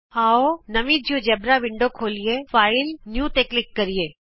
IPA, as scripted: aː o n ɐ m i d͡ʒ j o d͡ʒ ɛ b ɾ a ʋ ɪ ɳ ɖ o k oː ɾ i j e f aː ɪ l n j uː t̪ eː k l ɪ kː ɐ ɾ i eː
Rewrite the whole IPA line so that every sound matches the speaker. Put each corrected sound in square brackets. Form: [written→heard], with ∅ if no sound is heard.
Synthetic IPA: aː o n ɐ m i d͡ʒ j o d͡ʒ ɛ b ɾ a ʋ ɪ ɳ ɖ o [k→kʰ] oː [ɾ→l] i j e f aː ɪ l n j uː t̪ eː k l ɪ kː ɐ ɾ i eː